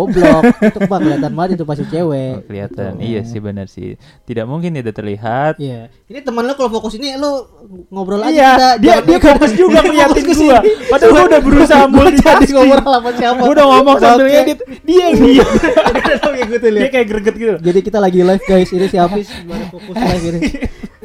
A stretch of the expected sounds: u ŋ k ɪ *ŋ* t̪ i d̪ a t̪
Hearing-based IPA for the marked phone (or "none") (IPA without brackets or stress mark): n